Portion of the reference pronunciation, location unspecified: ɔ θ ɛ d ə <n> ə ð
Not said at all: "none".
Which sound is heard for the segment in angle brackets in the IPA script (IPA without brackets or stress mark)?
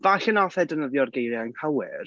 n